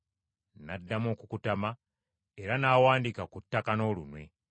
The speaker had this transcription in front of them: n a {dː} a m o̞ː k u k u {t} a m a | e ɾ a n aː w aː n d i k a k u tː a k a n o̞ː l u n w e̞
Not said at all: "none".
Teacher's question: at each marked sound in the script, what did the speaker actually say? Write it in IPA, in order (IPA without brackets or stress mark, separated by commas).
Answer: dː, t